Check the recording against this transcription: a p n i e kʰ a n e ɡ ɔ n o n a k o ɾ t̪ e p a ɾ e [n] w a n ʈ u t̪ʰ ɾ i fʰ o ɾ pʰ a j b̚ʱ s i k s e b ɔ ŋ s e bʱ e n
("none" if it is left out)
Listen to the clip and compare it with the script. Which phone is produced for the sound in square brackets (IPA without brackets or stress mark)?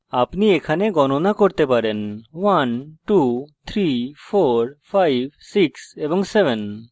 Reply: n